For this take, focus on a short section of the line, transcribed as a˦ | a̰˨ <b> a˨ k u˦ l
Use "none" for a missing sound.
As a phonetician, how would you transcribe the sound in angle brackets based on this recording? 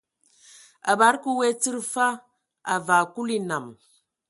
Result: v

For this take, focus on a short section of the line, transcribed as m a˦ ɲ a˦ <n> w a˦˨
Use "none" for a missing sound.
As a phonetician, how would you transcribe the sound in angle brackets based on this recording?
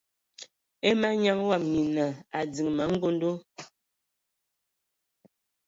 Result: ŋ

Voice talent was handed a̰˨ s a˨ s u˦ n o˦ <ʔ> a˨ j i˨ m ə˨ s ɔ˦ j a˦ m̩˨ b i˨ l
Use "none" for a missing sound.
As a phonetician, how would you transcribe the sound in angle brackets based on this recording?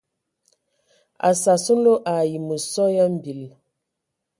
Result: ʔ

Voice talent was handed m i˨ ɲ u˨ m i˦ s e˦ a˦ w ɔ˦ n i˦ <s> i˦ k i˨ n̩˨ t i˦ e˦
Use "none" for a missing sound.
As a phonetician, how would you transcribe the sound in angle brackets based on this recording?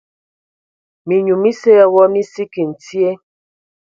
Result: s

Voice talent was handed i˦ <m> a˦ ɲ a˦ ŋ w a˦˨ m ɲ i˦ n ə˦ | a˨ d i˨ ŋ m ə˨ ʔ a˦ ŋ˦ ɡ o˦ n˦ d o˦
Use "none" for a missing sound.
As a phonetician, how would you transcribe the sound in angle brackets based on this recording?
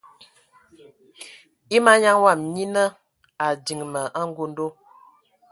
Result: m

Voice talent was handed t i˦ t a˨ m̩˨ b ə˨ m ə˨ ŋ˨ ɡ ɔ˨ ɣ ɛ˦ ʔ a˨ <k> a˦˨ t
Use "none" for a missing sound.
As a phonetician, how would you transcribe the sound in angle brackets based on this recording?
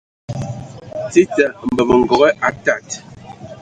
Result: t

